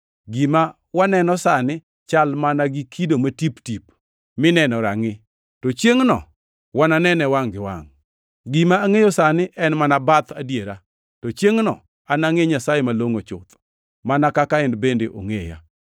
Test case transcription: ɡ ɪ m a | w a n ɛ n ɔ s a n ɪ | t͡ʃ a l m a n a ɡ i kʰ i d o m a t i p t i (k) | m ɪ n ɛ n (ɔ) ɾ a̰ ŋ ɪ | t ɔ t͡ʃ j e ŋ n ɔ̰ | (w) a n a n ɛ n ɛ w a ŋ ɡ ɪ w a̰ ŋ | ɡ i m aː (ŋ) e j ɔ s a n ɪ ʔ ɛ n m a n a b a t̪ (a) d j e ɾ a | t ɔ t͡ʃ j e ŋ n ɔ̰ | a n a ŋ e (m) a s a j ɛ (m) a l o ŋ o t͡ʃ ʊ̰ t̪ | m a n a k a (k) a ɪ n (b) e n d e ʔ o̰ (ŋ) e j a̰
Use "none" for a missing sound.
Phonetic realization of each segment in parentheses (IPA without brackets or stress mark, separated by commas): p, ɔ, w, ŋ, a, ɲ, m, k, b, ŋ